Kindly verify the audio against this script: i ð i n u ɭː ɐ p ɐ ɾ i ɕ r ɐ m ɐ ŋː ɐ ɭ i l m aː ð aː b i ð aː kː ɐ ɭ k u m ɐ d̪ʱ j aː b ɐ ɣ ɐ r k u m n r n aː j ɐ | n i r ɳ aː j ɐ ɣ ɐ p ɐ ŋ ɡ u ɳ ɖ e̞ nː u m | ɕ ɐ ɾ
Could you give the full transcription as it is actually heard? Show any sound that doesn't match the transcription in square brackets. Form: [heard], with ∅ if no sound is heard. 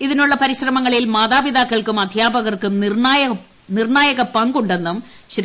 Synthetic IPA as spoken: i ð i n u ɭː ɐ p ɐ ɾ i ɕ r ɐ m ɐ ŋː ɐ ɭ i l m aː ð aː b i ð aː kː ɐ ɭ k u m ɐ d̪ʱ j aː b ɐ ɣ ɐ r k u m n r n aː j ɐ | n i r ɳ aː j ɐ ɣ ɐ p ɐ ŋ ɡ u ɳ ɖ e̞ nː u m | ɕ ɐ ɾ

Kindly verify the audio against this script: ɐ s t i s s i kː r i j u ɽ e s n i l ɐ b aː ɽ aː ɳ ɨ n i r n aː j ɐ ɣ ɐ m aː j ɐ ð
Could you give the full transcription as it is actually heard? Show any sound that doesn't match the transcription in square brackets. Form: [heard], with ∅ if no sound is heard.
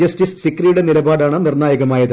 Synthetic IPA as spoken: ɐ s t i s s i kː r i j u ɽ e [∅] n i l ɐ b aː ɽ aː ɳ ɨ n i r n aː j ɐ ɣ ɐ m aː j ɐ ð

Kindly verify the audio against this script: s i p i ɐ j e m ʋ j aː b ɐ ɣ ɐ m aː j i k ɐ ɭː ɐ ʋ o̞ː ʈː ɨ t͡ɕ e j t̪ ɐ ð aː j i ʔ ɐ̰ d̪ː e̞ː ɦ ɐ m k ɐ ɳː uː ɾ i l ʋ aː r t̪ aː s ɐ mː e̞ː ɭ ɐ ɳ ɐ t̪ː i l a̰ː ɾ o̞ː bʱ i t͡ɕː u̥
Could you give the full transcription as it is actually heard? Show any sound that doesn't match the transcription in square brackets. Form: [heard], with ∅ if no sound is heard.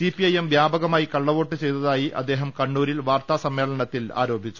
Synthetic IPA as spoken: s i p i ɐ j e m ʋ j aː b ɐ ɣ ɐ m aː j i k ɐ ɭː ɐ ʋ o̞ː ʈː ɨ t͡ɕ e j t̪ ɐ ð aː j i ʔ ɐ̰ d̪ː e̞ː ɦ ɐ m k ɐ ɳː uː ɾ i l ʋ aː r t̪ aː s ɐ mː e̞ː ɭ ɐ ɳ ɐ t̪ː i l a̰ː ɾ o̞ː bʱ i t͡ɕː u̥

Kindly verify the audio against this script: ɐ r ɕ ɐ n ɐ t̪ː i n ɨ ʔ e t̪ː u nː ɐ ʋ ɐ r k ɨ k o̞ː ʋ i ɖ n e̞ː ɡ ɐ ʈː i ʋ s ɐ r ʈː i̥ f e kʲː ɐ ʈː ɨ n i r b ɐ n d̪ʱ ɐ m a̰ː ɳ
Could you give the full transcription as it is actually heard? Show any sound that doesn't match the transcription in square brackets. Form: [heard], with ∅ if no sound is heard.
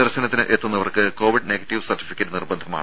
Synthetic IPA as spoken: ɐ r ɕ ɐ n ɐ t̪ː i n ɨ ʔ e t̪ː u nː ɐ ʋ ɐ r k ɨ k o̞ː ʋ i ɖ n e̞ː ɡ ɐ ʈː i ʋ s ɐ r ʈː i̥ f [i] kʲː ɐ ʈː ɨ n i r b ɐ n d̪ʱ ɐ m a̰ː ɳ

